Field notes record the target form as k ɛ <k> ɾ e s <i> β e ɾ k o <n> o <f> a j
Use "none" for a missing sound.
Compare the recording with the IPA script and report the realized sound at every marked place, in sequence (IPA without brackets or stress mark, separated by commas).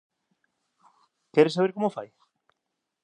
none, a, m, f